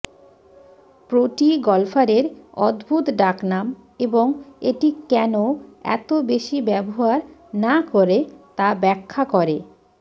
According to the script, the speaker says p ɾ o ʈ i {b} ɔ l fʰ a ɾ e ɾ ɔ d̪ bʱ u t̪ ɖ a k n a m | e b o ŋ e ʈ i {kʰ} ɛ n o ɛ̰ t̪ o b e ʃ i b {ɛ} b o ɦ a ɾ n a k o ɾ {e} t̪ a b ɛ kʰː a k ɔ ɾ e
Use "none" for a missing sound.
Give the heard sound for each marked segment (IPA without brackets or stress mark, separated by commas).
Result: ɡ, k, ɛ, e